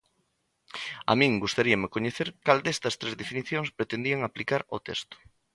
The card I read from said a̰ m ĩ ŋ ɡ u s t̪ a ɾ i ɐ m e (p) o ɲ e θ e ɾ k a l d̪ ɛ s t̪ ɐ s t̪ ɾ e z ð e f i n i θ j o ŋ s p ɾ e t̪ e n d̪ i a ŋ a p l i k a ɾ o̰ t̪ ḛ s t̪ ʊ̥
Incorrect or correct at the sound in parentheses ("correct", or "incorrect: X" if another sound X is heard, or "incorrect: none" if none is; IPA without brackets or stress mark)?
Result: incorrect: k